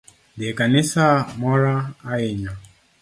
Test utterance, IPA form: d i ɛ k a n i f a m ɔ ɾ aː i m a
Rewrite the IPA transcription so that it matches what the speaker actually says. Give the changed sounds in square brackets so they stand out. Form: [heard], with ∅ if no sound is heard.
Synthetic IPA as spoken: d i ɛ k a n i [s] a m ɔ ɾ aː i [ɲ] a